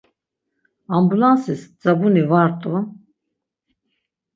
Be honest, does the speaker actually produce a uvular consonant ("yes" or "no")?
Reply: no